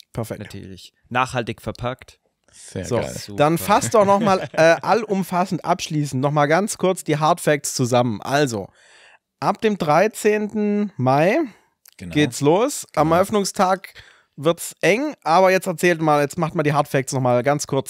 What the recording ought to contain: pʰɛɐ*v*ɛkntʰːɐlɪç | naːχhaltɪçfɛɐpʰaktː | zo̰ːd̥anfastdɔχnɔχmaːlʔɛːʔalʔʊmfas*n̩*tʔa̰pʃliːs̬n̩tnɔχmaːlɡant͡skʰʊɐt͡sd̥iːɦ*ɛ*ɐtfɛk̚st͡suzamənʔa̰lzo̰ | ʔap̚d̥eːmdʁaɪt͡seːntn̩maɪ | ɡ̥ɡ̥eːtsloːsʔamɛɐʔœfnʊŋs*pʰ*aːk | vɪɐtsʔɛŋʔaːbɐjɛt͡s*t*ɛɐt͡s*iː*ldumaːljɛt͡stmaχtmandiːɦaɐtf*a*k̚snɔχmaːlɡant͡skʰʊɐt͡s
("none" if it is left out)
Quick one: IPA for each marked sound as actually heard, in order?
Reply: f, n̩, a, tʰ, t, ɛː, ɛ

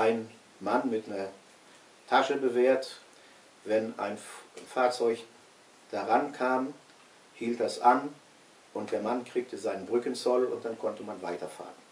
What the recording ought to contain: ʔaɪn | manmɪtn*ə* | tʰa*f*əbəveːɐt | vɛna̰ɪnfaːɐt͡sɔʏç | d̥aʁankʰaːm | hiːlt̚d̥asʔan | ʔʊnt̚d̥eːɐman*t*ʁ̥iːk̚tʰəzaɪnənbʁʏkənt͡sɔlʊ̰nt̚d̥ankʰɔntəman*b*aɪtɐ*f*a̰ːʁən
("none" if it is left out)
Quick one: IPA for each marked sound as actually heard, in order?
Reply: ɐ, ʃ, k, v, f

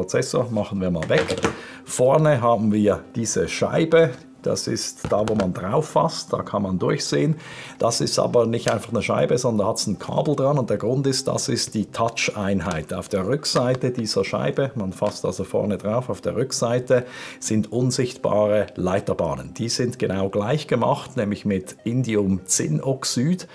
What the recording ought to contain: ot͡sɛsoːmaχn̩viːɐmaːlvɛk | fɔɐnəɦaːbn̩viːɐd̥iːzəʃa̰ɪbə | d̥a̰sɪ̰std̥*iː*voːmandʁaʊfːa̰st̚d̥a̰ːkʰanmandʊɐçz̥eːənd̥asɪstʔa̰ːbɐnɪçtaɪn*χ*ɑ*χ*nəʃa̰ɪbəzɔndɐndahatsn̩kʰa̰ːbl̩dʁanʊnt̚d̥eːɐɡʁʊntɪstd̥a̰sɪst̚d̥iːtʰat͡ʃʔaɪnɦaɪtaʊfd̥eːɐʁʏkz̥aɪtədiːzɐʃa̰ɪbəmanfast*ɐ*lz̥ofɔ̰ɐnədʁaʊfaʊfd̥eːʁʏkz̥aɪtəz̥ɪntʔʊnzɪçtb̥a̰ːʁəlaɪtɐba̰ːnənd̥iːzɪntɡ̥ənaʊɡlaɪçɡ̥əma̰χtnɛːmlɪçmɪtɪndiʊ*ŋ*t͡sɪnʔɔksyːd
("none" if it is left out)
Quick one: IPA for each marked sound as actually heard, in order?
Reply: aː, f, χ, a, m

